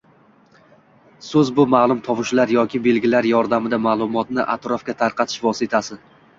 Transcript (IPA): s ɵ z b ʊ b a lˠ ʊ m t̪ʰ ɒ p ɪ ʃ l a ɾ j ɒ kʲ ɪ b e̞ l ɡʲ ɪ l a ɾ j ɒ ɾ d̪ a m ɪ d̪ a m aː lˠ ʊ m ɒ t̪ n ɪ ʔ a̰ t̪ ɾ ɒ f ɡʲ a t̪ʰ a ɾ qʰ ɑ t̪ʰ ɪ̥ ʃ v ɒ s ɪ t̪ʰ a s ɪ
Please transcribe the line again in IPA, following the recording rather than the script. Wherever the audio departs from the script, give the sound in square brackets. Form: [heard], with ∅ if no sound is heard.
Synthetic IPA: s ɵ z b ʊ [m] a lˠ ʊ m t̪ʰ ɒ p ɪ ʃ l a ɾ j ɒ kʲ ɪ b e̞ l ɡʲ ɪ l a ɾ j ɒ ɾ d̪ a m ɪ d̪ a m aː lˠ ʊ m ɒ t̪ n ɪ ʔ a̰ t̪ ɾ ɒ f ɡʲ a t̪ʰ a ɾ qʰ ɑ t̪ʰ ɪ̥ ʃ v ɒ s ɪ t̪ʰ a s ɪ